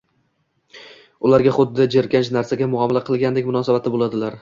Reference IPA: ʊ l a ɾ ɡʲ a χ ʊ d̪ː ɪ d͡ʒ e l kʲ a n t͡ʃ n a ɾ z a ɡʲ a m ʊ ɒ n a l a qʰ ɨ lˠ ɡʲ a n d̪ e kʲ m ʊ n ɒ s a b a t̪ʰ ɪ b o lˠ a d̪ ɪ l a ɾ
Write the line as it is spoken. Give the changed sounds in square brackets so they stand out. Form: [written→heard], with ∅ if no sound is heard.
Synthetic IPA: ʊ l a ɾ ɡʲ a χ ʊ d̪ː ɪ d͡ʒ e [l→ɾ] kʲ a n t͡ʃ n a ɾ [z→s] a ɡʲ a m ʊ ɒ [n→m] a l a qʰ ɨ lˠ ɡʲ a n d̪ e kʲ m ʊ n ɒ s a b a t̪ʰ ɪ b o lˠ a d̪ ɪ l a ɾ